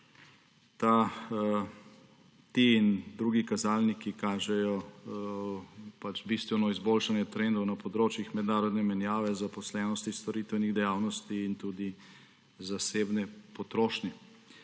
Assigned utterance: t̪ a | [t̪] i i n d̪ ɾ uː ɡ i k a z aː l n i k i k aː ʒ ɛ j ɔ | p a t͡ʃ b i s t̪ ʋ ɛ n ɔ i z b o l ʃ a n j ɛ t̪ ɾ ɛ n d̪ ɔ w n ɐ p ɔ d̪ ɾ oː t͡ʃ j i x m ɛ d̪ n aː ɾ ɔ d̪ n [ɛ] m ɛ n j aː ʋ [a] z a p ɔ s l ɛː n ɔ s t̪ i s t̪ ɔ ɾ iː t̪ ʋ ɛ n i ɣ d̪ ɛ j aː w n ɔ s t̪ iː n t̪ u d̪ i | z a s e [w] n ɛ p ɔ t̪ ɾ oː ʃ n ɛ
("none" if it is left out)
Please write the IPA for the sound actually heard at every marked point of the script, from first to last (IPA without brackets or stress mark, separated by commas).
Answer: t̪, ɛ, ɛ, b